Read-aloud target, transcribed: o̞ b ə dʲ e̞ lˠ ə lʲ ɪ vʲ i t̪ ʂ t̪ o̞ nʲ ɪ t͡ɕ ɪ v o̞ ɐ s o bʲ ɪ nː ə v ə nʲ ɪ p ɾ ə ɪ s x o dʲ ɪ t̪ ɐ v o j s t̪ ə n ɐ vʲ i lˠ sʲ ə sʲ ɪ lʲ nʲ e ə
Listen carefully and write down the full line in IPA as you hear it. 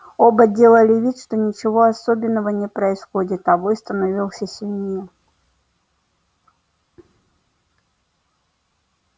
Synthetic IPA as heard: o̞ b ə dʲ e̞ lˠ ə lʲ ɪ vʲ i t̪ ʂ t̪ o̞ nʲ ɪ t͡ɕ ɪ v o̞ ɐ s o bʲ ɪ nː ə v ə nʲ ɪ p ɾ ə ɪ s x o dʲ ɪ t̪ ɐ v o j s t̪ ə n ɐ vʲ i lˠ sʲ ə sʲ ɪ lʲ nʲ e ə

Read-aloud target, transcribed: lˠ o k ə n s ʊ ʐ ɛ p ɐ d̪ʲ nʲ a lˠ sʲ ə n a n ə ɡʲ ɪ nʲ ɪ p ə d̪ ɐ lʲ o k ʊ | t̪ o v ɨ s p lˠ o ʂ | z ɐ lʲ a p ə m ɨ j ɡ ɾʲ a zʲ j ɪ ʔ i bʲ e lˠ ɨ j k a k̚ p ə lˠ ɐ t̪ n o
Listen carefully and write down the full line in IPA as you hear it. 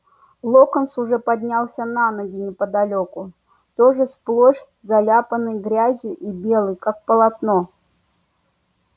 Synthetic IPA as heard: lˠ o k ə n s ʊ ʐ ɛ p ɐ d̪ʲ nʲ a lˠ sʲ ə n a n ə ɡʲ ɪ nʲ ɪ p ə d̪ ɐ lʲ o k ʊ | t̪ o ʐ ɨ s p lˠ o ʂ | z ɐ lʲ a p ə n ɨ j ɡ ɾʲ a zʲ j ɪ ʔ i bʲ e lˠ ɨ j k a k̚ p ə lˠ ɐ t̪ n o

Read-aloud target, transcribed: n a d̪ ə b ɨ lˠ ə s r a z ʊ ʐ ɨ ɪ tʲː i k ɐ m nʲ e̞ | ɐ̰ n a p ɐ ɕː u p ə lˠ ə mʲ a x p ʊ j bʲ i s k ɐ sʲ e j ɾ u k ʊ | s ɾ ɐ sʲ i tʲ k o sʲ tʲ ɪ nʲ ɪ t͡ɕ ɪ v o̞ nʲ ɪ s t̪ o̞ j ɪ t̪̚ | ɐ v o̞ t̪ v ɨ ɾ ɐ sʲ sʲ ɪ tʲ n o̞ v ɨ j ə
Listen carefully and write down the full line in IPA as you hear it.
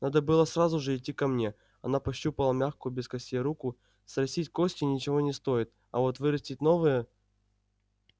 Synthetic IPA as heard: n a d̪ ə b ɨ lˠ ə s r a z ʊ ʐ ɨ ɪ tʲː i k ɐ m nʲ e̞ | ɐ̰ n a p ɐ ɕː u p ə lˠ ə mʲ a x k ʊ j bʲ ɪ s k ɐ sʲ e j ɾ u k ʊ | s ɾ ɐ sʲ i tʲ k o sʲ tʲ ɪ nʲ ɪ t͡ɕ ɪ v o̞ nʲ ɪ s t̪ o̞ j ɪ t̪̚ | ɐ v o̞ t̪ v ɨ ɾ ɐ sʲ tʲ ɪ tʲ n o̞ v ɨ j ə

